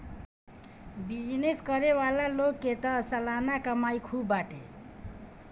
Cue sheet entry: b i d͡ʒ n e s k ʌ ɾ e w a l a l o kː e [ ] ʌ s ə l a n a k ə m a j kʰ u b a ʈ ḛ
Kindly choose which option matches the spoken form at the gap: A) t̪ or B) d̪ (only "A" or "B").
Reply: A